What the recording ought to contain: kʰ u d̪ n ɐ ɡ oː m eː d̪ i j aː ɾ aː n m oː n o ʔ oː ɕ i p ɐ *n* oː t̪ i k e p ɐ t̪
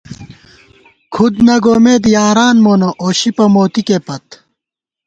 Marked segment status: incorrect: m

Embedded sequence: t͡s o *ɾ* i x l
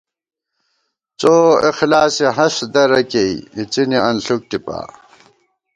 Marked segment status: incorrect: none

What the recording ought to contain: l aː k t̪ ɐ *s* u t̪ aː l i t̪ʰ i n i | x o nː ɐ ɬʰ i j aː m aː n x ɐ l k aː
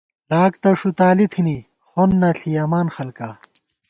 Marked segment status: incorrect: ʂ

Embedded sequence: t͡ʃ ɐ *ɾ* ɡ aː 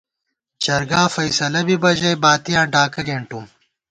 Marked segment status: correct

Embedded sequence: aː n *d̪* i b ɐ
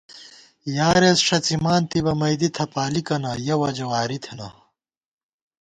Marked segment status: incorrect: t̪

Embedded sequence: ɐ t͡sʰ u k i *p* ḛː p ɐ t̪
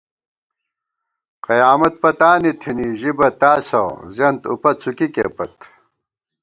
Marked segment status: incorrect: k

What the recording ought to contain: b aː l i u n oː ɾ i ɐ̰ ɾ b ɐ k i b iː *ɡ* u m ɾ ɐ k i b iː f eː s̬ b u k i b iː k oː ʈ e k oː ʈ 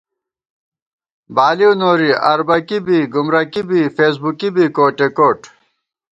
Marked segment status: correct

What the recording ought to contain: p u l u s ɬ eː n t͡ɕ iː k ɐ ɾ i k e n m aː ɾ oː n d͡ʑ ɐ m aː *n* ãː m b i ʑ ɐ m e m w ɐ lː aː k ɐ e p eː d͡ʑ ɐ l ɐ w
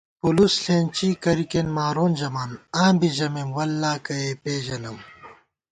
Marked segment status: correct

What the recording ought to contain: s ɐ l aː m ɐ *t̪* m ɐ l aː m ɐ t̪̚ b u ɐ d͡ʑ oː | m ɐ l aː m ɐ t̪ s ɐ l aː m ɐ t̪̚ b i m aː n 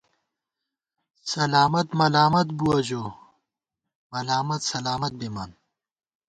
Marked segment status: correct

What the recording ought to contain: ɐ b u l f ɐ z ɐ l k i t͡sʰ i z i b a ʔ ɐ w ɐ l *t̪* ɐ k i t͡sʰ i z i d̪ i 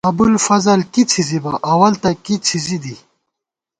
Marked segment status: correct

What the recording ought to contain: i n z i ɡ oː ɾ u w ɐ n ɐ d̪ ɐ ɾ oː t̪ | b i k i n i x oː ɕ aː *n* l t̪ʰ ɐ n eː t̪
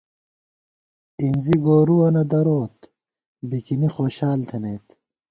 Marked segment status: incorrect: none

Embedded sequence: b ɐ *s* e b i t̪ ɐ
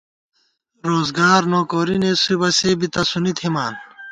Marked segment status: correct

